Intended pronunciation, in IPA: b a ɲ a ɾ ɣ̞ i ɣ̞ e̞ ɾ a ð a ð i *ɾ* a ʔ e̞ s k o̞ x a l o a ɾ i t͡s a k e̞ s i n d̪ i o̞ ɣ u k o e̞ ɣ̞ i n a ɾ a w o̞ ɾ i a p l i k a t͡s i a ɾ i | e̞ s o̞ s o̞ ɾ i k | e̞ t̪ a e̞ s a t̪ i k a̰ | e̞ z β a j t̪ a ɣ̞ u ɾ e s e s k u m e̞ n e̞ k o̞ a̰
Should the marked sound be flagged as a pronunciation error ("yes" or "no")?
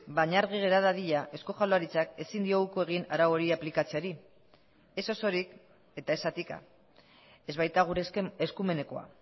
yes